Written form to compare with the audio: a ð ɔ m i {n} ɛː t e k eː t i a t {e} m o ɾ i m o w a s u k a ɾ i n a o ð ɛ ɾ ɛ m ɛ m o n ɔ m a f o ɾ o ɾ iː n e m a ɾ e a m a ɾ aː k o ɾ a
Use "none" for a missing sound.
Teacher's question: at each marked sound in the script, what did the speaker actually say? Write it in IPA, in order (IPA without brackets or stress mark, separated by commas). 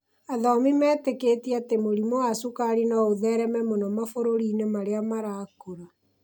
m, e